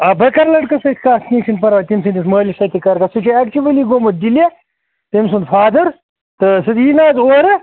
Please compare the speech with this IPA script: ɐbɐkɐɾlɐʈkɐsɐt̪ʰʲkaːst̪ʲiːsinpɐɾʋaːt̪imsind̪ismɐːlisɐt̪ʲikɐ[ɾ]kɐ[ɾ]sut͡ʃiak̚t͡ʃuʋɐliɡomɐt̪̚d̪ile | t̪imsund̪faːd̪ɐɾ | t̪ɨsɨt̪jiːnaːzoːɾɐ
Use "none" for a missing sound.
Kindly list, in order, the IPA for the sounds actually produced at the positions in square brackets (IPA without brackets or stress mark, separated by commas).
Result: ɾ, none